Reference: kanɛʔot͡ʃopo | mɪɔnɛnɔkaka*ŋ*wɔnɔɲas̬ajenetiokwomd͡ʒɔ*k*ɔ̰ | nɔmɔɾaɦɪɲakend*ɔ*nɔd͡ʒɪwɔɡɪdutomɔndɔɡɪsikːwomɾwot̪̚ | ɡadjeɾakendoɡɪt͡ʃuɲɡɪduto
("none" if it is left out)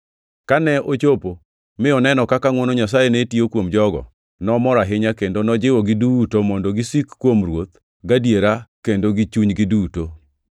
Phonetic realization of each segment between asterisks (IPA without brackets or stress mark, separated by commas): ŋ, ɡ, o